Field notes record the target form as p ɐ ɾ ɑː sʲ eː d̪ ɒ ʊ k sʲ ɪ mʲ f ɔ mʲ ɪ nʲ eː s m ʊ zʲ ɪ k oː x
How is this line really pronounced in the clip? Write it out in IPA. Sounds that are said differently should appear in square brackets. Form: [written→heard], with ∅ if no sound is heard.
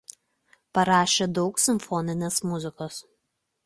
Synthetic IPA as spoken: p ɐ ɾ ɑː [sʲ→ʃʲ] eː d̪ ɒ ʊ k sʲ ɪ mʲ f ɔ [mʲ→nʲ] ɪ nʲ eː s m ʊ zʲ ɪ k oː [x→s]